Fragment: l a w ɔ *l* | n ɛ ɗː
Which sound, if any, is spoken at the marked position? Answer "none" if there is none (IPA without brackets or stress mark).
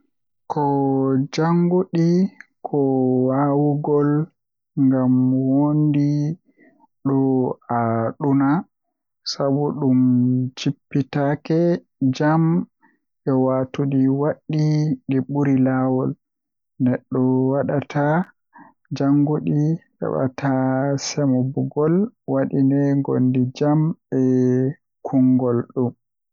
l